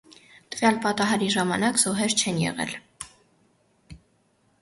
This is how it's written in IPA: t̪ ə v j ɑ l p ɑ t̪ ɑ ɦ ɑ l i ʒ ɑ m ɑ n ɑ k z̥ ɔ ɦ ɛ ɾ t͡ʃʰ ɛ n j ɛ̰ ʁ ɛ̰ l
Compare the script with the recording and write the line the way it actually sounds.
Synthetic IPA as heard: t̪ ə v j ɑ l p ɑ t̪ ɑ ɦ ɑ ɾ i ʒ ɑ m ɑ n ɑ k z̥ ɔ ɦ ɛ ɾ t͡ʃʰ ɛ n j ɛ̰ ʁ ɛ̰ l

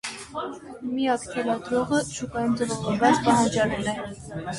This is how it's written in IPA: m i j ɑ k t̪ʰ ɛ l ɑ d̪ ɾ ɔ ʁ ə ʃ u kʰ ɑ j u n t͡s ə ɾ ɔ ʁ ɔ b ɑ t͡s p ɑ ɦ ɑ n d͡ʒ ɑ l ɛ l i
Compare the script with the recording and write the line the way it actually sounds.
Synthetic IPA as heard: m i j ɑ k t̪ʰ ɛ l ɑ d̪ ɾ ɔ ʁ ə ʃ u k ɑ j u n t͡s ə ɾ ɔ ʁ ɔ b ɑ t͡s p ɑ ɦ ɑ n d͡ʒ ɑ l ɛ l ɛ

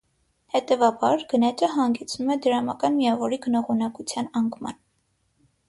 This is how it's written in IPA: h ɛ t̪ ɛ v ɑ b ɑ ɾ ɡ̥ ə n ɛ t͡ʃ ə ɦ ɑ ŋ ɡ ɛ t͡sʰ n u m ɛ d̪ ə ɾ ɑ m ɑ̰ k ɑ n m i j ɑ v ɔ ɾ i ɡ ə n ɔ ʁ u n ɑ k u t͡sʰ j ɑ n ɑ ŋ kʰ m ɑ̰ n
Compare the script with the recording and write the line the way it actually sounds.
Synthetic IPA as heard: h ɛ t̪ ɛ v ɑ b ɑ ɾ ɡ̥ ə n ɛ t͡ʃ ə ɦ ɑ ŋ ɡ ɛ t͡sʰ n u m ɛ d̪ ə ɾ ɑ m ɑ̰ k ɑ n m i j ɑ v ɔ ɾ i ɡ ə n ɔ ʁ u n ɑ k u t͡sʰ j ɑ n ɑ ŋ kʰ m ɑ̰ n

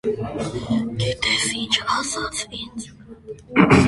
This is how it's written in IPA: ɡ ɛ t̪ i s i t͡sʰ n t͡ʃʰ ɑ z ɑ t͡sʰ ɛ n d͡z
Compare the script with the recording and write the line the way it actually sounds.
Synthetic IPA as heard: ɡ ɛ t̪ ɛ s i n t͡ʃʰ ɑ s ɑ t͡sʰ i n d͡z

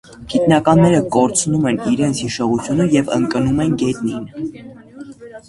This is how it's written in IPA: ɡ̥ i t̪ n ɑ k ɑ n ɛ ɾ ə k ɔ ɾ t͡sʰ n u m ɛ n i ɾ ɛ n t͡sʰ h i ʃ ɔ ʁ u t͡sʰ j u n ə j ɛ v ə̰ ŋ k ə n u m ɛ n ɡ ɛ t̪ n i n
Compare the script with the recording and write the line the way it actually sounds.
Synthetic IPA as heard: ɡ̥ i t̪ n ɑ k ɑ nː ɛ ɾ ə k ɔ ɾ t͡sʰ n u m ɛ n i ɾ ɛ n t͡sʰ h i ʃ ɔ ʁ u t͡sʰ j u n ə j ɛ v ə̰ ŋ k ə n u m ɛ n ɡ ɛ t̪ n i n

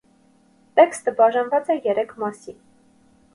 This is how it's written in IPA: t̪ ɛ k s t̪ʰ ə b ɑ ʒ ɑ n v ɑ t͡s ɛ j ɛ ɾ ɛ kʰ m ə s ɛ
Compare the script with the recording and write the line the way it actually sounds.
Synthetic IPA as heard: t̪ ɛ k s t̪ ə b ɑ ʒ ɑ n v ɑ t͡s ɛ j ɛ ɾ ɛ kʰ m ɑ s i

